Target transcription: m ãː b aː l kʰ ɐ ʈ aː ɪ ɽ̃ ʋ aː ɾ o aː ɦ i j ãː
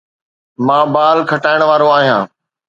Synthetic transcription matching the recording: m ãː b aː l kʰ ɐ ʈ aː ɪ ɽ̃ ʋ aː ɾ o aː ɦ i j ãː